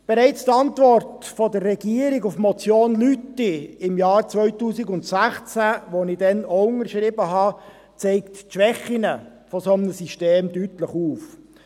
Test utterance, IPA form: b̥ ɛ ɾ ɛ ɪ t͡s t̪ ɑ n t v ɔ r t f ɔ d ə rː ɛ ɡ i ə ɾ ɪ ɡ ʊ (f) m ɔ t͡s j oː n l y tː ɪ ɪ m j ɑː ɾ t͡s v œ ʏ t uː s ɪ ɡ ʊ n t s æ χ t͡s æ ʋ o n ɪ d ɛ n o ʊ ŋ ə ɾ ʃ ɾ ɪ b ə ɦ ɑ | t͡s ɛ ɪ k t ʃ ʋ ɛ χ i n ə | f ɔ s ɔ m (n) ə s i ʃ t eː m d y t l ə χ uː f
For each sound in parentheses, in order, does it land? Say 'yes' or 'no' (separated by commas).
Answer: yes, yes